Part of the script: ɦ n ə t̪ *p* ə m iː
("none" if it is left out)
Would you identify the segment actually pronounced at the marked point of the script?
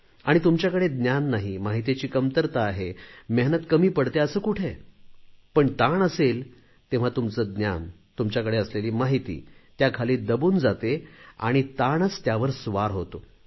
k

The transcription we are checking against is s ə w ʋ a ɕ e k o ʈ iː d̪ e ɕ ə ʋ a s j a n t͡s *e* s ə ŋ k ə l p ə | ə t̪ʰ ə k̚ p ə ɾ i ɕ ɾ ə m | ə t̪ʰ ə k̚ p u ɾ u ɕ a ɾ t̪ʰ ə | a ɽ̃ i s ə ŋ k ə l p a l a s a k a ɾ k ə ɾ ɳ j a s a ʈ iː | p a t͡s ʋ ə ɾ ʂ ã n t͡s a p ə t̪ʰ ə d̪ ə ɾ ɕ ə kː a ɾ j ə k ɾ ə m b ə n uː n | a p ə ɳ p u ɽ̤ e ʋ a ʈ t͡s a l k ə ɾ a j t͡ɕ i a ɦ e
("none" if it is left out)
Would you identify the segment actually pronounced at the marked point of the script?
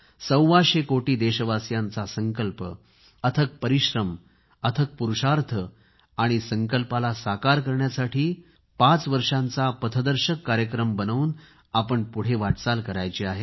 a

